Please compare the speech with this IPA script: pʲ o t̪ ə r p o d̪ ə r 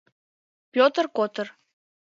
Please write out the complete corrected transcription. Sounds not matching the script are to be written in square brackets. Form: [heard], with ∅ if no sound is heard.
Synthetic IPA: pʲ o t̪ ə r [k] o [t̪] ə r